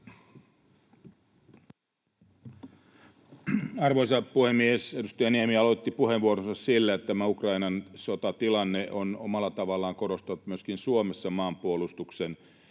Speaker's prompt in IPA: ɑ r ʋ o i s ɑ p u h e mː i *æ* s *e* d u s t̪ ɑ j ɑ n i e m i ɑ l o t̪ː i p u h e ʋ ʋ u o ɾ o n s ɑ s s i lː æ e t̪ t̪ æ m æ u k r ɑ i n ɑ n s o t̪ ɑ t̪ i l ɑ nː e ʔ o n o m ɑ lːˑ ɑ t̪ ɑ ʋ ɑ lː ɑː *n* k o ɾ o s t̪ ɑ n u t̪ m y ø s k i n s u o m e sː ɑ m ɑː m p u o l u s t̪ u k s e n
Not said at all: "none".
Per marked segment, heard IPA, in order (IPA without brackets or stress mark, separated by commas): e, e, ŋ